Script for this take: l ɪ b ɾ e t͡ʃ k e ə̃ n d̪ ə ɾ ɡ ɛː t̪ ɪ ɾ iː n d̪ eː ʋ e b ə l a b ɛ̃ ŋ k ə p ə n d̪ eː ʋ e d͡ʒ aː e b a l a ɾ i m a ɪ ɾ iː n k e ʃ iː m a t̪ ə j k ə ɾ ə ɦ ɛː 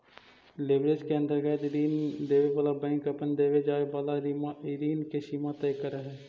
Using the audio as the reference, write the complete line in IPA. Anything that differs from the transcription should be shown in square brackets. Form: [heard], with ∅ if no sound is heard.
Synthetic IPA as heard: l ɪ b ɾ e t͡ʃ k e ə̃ n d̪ ə ɾ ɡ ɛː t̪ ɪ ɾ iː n d̪ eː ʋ e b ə l a b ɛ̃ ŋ k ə p ə n d̪ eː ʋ e d͡ʒ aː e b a l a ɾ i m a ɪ ɾ iː n k e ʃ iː m a t̪ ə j k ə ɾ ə ɦ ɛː